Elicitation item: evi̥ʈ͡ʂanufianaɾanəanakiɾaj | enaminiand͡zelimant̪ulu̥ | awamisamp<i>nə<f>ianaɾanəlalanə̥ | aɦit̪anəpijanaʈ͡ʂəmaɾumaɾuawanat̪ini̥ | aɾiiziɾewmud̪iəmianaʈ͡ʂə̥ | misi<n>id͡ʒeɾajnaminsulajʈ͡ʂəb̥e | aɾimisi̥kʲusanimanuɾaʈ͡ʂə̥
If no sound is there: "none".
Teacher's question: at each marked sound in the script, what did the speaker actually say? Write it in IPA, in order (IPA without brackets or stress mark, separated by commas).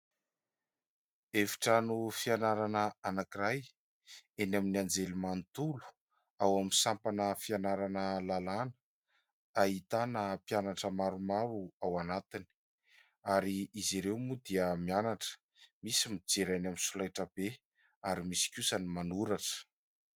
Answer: a, f, m